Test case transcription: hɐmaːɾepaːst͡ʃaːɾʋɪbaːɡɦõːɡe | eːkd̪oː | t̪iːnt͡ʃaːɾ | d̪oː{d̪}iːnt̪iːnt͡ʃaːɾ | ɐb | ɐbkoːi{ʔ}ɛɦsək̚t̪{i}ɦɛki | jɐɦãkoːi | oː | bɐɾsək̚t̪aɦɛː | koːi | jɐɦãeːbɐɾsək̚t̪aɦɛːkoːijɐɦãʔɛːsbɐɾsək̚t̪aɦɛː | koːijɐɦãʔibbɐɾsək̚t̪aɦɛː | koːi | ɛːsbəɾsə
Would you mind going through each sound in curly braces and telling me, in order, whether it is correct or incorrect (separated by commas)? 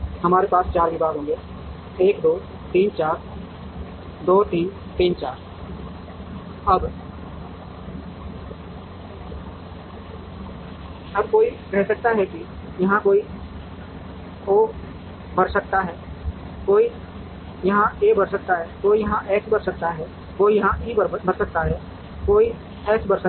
incorrect, incorrect, incorrect